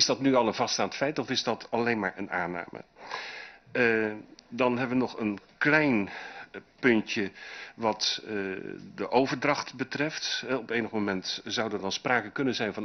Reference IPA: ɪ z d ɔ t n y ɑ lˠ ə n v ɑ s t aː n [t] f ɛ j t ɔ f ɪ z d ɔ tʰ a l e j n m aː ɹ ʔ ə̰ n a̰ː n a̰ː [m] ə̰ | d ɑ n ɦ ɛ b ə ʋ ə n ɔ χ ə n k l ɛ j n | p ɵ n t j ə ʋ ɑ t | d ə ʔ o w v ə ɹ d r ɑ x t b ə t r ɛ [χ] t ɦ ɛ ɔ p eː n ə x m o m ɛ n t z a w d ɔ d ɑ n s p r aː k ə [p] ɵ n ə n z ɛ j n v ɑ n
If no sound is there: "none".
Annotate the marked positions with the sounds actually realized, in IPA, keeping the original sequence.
t, m, f, k

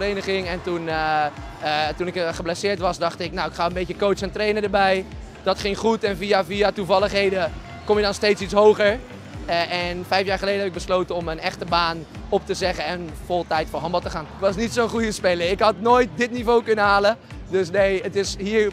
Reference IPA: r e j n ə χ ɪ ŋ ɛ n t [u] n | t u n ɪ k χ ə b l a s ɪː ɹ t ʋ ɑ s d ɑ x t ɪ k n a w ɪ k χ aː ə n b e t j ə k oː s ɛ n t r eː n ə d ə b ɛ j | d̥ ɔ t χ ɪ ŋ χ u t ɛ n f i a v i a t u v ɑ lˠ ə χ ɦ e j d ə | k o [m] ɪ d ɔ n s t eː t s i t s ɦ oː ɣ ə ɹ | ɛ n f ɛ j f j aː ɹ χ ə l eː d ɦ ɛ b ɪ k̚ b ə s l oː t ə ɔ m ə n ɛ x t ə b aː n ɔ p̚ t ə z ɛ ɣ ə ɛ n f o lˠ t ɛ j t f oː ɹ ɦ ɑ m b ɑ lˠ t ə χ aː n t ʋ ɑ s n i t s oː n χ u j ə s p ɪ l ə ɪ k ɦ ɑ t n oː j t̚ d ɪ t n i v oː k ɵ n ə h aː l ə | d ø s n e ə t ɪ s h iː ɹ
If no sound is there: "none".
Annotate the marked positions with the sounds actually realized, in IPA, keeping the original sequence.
u, m

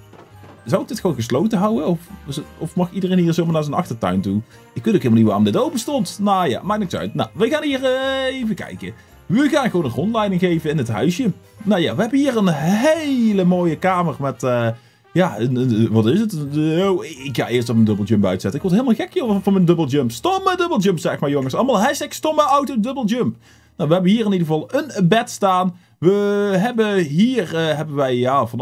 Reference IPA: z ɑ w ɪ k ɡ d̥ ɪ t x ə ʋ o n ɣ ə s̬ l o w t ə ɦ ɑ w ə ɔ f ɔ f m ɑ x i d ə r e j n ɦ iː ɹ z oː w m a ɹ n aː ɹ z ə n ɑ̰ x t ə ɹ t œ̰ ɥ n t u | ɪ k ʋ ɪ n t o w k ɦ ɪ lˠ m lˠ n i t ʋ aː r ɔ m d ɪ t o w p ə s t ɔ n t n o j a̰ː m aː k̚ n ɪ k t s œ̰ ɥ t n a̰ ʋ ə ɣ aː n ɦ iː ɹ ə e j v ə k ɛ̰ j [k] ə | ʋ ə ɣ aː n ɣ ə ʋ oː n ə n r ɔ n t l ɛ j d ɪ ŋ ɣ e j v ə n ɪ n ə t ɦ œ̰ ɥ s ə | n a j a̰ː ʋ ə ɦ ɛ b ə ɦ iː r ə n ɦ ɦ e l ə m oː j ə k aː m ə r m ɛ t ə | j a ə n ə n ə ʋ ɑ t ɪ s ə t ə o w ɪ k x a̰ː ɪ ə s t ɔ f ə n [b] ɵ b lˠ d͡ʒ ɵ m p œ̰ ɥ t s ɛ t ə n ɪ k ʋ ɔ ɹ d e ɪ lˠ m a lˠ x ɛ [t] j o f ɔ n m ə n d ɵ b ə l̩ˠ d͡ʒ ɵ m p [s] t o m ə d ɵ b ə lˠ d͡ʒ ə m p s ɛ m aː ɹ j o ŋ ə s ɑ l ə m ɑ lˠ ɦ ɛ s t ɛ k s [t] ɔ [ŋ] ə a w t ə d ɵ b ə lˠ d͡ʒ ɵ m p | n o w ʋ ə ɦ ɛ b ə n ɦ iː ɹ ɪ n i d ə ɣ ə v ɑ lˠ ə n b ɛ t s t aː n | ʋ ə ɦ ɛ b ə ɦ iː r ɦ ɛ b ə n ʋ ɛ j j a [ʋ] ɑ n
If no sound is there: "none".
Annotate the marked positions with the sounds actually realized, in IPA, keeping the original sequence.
k, d, k, s, t, m, v

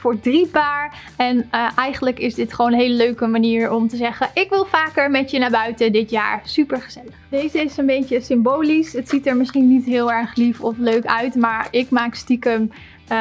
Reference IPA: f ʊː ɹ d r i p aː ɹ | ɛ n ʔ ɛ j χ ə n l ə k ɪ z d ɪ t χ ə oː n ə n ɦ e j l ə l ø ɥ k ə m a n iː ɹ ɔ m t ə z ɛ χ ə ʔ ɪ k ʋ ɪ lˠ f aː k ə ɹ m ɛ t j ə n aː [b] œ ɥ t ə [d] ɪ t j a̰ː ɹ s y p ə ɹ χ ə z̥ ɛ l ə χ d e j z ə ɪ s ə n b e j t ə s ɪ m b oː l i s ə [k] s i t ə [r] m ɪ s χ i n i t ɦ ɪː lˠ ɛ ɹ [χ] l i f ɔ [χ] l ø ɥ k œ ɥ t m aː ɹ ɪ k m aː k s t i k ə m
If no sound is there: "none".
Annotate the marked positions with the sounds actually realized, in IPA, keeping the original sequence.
b, d, t, ɹ, χ, f

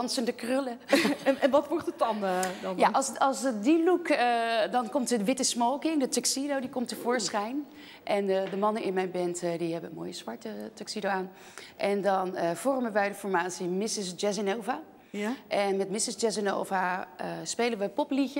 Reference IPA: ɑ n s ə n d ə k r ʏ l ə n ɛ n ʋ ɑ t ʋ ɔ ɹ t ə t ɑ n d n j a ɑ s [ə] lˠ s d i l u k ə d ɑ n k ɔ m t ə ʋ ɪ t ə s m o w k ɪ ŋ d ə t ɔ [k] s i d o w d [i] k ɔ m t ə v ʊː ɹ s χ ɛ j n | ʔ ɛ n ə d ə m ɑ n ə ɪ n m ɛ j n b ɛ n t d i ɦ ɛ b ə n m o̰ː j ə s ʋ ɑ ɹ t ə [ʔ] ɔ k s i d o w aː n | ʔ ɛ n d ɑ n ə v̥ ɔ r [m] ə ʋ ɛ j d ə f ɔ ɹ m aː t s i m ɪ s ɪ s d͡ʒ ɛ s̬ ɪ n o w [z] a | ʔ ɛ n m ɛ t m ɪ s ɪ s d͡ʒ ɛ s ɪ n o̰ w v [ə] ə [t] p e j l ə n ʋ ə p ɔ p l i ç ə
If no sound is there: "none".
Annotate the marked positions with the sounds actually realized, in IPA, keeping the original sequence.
ɑ, k, i, t, m, v, a, s

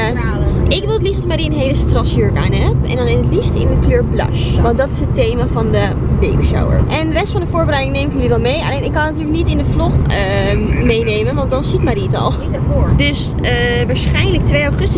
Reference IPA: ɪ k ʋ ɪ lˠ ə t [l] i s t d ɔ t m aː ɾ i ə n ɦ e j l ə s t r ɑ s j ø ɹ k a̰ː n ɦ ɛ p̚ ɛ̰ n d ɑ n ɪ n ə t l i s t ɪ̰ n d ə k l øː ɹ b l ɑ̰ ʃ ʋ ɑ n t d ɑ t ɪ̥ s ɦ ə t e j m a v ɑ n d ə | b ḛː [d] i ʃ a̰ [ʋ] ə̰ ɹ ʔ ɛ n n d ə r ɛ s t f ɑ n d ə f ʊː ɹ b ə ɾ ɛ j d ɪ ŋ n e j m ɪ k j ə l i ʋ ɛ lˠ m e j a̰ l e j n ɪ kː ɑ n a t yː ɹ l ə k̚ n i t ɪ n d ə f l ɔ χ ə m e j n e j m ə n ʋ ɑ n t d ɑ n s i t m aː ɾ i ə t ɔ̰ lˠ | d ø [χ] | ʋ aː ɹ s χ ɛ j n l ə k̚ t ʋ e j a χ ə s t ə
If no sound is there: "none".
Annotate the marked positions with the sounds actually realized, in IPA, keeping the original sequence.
l, b, w, s

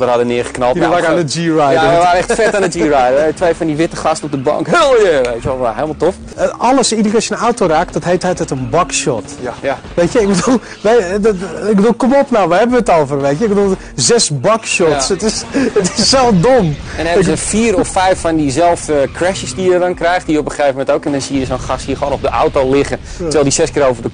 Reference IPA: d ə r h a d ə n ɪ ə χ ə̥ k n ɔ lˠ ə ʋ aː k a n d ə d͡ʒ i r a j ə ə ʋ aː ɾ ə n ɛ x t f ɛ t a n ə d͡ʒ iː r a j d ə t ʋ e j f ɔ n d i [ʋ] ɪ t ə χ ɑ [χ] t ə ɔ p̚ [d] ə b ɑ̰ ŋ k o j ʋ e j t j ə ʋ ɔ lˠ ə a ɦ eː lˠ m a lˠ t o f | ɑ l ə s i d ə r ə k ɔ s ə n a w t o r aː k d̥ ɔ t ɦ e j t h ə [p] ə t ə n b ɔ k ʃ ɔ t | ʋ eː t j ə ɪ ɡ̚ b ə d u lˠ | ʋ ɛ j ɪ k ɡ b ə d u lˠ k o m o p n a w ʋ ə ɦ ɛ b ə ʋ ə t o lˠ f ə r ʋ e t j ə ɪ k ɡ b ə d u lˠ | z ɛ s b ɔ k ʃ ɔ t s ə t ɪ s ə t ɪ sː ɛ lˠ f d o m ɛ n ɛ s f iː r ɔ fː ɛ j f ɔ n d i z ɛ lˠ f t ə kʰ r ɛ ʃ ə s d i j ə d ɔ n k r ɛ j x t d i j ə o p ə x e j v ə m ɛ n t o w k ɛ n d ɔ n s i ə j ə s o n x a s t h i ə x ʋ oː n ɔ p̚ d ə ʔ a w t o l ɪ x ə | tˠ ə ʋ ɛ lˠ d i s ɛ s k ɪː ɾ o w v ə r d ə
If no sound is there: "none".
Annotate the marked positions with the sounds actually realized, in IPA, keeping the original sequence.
ʋ, s, d, t

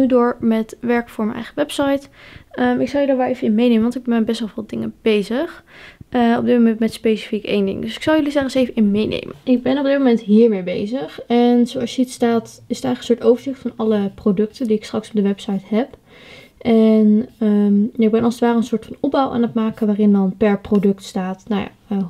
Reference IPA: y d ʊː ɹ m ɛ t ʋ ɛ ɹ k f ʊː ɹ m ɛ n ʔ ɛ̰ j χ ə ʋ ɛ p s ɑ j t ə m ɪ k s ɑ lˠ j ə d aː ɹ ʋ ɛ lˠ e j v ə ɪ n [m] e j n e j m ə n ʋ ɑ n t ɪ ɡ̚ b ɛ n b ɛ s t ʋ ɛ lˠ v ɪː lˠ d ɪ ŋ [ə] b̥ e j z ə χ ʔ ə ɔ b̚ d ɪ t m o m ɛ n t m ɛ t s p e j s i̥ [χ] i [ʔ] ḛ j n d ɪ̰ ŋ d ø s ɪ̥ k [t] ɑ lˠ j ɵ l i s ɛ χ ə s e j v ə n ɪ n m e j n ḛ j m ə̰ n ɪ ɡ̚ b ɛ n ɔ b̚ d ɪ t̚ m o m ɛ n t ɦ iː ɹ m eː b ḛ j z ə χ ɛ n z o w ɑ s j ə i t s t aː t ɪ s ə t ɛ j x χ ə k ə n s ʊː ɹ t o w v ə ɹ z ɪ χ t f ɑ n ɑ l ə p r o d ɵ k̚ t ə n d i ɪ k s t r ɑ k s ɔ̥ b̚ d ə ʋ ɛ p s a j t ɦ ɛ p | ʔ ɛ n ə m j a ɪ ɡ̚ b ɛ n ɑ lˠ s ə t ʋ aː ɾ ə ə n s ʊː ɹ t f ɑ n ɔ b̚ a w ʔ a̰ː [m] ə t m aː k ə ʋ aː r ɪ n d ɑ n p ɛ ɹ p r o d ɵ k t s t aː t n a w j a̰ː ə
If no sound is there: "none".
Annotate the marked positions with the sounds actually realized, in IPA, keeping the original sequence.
m, ə, f, k, s, n

